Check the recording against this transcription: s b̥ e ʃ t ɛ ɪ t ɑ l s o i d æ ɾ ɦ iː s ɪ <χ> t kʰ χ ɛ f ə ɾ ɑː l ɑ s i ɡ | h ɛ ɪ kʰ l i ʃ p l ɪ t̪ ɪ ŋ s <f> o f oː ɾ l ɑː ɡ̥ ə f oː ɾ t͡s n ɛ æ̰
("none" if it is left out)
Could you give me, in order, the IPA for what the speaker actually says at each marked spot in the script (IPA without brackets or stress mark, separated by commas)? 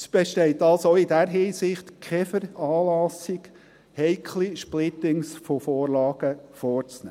χ, f